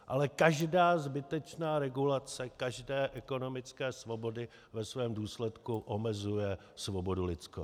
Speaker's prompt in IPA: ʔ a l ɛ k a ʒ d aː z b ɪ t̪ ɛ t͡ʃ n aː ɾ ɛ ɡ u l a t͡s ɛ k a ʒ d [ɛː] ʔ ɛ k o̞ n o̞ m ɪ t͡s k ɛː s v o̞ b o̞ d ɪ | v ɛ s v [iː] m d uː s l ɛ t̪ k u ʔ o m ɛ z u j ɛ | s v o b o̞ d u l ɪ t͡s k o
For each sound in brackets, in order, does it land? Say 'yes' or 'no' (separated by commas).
yes, no